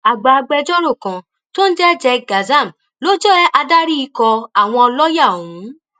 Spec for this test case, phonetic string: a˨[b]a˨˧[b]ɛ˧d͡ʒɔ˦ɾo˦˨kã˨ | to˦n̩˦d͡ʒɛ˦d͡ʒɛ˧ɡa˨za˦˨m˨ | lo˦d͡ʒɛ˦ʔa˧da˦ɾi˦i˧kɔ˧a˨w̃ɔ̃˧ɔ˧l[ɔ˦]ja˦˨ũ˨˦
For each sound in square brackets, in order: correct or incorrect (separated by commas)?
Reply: incorrect, incorrect, correct